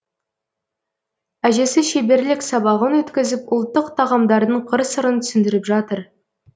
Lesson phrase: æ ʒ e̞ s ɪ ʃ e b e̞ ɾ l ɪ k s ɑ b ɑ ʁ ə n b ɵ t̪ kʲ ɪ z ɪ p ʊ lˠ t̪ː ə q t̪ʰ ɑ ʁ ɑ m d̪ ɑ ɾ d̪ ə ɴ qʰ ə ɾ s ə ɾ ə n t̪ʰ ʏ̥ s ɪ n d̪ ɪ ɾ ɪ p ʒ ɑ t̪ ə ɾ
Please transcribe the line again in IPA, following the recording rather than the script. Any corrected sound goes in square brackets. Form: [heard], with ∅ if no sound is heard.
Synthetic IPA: æ ʒ e̞ s ɪ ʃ e b e̞ ɾ l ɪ k s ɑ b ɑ ʁ ə n [w] ɵ t̪ kʲ ɪ z ɪ p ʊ lˠ t̪ː ə q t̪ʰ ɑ ʁ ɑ m d̪ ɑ ɾ d̪ ə ɴ qʰ ə ɾ s ə ɾ ə n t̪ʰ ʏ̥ s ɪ n d̪ ɪ ɾ ɪ p ʒ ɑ t̪ ə ɾ